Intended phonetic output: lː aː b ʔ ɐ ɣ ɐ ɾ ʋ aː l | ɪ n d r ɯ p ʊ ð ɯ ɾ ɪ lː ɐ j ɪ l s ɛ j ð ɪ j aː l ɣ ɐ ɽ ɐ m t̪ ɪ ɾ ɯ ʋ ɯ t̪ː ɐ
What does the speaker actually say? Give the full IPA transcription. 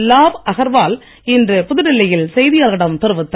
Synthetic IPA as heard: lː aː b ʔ ɐ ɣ ɐ ɾ ʋ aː l | ɪ n d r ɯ p ʊ ð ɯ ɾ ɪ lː ɐ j ɪ l s ɛ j ð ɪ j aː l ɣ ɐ ɽ ɐ m t̪ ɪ ɾ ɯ ʋ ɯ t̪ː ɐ